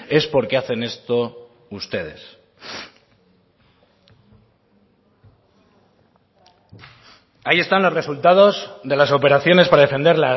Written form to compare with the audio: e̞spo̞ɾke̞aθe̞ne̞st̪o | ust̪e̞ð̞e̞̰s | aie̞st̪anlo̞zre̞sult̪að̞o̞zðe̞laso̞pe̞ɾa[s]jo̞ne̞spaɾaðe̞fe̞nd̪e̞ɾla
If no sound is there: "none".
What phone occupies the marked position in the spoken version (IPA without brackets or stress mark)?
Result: θ